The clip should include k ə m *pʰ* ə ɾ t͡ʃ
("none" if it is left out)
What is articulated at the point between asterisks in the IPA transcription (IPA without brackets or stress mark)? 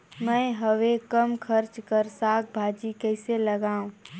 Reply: kʰ